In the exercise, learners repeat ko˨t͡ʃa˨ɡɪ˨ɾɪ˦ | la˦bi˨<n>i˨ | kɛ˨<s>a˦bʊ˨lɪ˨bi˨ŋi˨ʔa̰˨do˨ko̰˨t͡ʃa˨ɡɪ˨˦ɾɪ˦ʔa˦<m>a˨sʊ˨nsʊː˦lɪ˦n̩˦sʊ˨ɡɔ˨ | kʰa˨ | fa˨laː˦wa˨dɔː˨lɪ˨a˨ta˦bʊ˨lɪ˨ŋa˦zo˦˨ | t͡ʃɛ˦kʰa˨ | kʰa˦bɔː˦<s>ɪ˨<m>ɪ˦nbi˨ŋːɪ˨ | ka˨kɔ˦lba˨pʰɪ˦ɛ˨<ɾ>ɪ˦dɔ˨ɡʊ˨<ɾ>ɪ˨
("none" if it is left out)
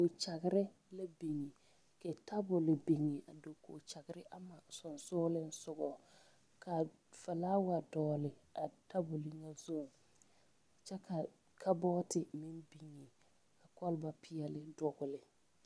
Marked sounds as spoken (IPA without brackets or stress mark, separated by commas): ŋ, t, m, t, m, l, l